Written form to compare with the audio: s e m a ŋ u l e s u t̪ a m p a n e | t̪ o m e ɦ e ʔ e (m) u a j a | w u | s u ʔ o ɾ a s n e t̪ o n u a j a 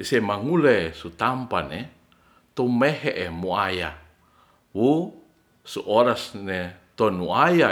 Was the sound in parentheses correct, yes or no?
yes